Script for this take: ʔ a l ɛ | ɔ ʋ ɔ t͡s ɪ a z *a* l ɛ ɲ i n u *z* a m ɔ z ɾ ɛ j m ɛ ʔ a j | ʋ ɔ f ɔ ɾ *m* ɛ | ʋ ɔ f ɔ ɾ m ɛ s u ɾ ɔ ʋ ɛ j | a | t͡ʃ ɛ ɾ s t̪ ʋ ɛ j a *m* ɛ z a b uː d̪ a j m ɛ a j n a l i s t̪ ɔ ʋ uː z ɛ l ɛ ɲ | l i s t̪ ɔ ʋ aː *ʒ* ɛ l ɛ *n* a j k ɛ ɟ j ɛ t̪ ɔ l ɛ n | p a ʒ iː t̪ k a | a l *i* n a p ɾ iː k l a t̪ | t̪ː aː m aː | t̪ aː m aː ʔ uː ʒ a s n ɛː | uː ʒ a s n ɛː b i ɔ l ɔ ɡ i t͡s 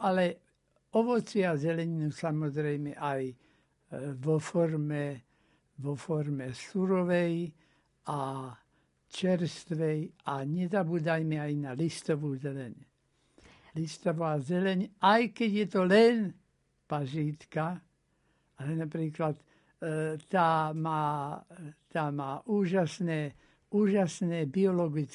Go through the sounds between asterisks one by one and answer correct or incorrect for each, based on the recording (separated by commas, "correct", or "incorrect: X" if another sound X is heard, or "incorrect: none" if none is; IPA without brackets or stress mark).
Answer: incorrect: ɛ, incorrect: s, correct, incorrect: ɲ, incorrect: z, incorrect: ɲ, incorrect: ɛ